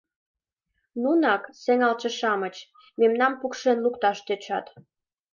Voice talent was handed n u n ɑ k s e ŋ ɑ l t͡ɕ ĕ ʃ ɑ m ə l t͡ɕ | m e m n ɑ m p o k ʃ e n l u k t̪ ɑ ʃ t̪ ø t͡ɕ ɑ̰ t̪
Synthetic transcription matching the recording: n u n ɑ k s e ŋ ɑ l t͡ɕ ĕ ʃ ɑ m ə t͡ɕ | m e m n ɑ m p u k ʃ e n l u k t̪ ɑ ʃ t̪ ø t͡ɕ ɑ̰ t̪